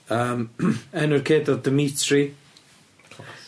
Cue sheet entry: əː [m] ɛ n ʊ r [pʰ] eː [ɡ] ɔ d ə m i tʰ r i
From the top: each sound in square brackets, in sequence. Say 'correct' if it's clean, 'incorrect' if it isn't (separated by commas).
correct, incorrect, incorrect